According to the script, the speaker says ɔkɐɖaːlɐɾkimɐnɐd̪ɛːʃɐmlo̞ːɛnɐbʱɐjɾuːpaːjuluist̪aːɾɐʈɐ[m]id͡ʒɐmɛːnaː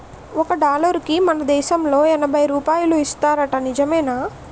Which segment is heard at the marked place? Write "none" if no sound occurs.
n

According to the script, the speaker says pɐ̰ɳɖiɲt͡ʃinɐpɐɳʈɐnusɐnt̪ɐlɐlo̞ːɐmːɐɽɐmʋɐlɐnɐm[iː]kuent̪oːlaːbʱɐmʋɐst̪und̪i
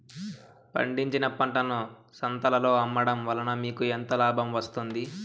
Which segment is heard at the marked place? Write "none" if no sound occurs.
iː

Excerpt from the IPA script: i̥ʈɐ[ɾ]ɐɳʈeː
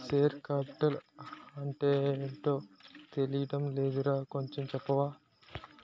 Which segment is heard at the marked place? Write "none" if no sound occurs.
l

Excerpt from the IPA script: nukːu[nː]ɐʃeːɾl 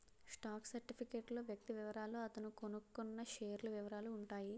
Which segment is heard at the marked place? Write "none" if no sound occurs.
nː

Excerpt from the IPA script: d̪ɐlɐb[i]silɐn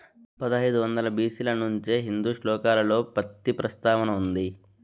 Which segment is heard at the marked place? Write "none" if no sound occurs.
iː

